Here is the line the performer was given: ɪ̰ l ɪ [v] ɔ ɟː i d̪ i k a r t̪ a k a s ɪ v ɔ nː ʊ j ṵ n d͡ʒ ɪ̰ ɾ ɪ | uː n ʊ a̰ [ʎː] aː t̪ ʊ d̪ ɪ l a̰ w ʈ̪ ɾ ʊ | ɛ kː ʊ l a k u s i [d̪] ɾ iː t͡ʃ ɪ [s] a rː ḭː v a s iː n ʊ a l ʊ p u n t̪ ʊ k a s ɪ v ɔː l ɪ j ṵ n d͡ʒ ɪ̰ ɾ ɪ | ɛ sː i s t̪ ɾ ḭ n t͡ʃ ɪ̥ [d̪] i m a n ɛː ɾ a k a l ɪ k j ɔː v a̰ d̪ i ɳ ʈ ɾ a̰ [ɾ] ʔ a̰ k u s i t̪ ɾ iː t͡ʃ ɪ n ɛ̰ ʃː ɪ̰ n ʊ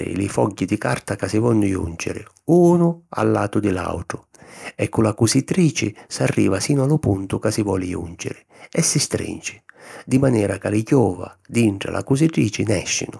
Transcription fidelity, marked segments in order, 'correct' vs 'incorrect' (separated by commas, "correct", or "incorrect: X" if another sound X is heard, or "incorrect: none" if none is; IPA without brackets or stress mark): incorrect: f, incorrect: lː, incorrect: t̪, correct, correct, incorrect: l